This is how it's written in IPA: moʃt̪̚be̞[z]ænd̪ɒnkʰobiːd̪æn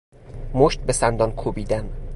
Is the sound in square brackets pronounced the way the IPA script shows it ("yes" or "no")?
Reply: no